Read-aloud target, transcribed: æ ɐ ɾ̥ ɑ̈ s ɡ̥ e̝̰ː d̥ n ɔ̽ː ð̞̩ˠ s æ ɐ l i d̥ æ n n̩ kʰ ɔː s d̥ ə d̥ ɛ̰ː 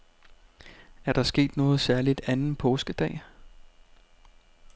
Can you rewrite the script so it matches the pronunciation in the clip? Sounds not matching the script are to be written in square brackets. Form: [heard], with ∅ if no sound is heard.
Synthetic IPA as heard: æ ɐ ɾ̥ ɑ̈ s ɡ̥ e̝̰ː d̥ n ɔ̽ː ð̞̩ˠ s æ ɐ l i d̥ æ n n̩ [pʰ] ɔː s [ɡ̥] ə d̥ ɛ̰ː